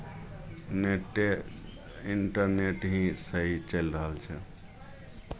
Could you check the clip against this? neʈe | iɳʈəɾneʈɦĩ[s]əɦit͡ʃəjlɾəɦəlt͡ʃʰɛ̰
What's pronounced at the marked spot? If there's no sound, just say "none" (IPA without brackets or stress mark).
s